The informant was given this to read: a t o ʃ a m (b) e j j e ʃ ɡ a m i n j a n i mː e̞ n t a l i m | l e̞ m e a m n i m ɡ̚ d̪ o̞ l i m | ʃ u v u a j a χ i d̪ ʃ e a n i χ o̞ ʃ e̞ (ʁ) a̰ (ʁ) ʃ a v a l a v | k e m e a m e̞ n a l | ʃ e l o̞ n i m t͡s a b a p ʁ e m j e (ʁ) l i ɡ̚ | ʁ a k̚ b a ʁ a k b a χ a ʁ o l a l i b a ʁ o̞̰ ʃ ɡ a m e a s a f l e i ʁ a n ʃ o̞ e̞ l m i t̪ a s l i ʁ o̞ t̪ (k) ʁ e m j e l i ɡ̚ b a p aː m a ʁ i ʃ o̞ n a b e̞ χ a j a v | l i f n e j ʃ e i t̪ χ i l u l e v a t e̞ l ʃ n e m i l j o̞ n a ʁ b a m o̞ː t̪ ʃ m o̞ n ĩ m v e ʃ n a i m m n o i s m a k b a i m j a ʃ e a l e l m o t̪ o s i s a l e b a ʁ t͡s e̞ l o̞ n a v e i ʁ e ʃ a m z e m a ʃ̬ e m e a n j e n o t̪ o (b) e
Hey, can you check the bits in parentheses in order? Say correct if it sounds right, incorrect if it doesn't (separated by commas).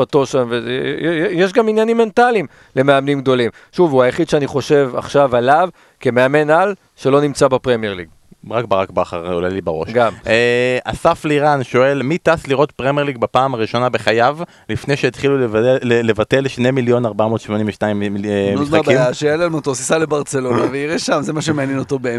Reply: incorrect, incorrect, incorrect, correct, incorrect, correct